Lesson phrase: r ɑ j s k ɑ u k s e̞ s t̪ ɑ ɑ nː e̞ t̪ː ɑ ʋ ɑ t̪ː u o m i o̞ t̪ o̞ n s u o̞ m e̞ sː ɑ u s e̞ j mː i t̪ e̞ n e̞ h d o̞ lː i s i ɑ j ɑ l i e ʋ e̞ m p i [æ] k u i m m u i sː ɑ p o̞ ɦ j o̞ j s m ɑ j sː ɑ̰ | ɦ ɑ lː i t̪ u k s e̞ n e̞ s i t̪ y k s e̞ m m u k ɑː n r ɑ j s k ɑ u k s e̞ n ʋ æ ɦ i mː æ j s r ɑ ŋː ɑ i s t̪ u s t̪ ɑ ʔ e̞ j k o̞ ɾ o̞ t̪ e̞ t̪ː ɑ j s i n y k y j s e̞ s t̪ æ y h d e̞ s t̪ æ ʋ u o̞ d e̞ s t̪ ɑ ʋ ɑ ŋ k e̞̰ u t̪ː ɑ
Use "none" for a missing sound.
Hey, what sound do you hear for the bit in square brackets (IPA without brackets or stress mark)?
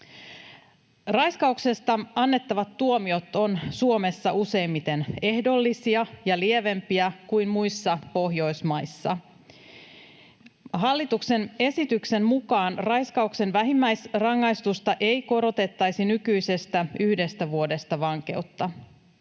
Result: æ